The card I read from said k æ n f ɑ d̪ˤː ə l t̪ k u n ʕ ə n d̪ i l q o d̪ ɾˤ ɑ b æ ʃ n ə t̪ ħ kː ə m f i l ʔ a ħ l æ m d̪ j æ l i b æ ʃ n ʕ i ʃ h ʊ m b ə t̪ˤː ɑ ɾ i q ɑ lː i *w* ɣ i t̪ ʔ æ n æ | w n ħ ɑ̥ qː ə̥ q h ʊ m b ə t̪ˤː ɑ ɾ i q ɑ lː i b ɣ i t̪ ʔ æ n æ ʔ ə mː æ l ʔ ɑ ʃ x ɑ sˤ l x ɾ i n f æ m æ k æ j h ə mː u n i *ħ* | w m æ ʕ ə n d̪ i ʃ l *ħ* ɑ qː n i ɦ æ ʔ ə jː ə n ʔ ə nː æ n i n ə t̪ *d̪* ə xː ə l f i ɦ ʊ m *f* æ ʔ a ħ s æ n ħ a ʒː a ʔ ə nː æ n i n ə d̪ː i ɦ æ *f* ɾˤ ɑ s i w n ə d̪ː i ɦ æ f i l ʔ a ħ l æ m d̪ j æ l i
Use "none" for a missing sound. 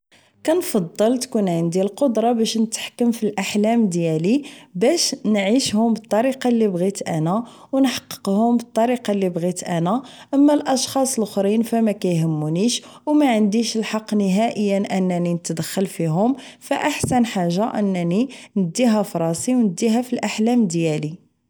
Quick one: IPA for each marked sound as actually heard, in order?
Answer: b, ʃ, ħ, d̪, f, f

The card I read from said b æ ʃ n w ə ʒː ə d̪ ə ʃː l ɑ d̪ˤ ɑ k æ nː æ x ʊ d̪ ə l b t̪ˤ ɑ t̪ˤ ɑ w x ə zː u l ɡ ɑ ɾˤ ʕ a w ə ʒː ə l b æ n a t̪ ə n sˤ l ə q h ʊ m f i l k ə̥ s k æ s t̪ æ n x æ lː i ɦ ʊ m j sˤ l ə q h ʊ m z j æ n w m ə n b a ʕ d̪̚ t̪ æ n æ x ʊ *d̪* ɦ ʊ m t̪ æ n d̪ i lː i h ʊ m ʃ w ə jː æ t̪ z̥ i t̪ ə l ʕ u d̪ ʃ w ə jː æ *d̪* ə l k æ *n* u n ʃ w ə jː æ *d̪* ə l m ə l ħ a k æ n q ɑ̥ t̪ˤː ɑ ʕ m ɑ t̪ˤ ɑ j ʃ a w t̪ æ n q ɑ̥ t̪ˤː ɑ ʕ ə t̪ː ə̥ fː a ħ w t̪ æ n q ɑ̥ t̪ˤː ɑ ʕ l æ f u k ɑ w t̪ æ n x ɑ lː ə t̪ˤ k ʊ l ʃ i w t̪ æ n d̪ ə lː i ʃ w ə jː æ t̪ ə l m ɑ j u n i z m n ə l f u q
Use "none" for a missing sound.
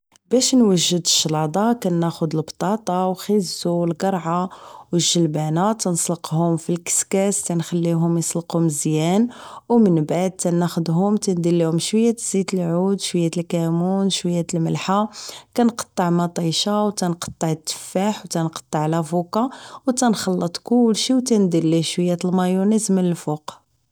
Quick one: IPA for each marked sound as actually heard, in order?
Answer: d̪, t̪, m, t̪

